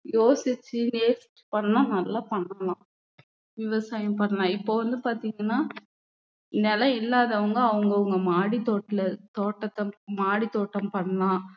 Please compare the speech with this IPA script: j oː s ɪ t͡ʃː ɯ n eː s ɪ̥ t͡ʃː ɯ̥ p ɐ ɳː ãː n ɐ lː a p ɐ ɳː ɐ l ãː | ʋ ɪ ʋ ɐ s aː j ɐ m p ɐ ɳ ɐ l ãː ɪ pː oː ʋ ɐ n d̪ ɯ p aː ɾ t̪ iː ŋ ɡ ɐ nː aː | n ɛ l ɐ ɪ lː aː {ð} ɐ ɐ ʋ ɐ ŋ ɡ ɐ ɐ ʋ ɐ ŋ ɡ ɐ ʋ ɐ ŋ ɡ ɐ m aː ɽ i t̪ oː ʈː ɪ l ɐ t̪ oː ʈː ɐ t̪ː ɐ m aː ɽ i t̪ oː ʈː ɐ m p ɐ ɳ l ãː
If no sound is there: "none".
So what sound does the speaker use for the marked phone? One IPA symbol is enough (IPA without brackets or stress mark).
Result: ð